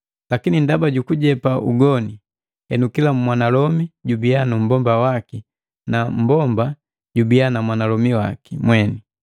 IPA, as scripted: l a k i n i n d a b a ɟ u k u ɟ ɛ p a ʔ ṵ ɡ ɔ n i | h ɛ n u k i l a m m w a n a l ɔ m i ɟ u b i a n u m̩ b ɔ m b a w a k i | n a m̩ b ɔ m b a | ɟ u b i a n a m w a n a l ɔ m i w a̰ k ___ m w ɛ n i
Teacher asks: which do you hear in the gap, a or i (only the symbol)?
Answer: i